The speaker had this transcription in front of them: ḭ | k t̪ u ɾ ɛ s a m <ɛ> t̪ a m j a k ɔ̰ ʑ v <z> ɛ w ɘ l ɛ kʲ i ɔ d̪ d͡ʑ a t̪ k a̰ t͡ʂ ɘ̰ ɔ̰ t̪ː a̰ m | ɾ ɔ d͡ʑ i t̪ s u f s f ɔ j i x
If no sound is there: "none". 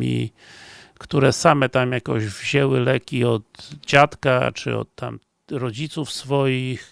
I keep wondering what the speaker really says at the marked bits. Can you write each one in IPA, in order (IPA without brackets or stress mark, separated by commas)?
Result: ɛ, ʑ